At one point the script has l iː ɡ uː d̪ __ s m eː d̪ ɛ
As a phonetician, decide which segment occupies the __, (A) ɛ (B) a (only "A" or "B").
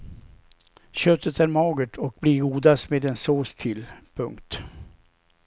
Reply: B